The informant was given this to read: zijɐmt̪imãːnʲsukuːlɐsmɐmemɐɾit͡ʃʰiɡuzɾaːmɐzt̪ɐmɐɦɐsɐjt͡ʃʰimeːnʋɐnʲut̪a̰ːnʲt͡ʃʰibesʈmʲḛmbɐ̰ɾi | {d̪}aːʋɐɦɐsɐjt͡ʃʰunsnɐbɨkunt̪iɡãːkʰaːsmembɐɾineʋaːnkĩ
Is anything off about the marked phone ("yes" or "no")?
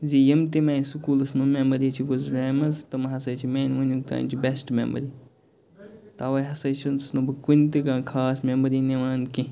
yes